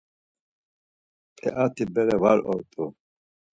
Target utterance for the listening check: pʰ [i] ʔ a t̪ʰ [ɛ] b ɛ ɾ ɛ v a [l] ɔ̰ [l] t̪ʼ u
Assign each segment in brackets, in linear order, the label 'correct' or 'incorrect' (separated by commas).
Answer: incorrect, incorrect, incorrect, incorrect